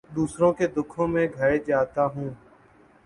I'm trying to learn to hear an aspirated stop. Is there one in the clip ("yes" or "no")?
yes